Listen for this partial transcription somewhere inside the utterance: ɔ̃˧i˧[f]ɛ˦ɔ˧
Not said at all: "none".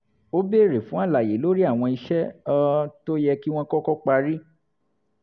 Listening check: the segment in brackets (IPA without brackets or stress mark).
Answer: ʃ